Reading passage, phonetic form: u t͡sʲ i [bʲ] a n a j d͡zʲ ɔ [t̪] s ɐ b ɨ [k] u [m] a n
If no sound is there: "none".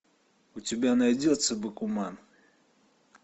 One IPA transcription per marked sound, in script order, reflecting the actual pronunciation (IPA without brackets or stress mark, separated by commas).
bʲ, t̪, k, m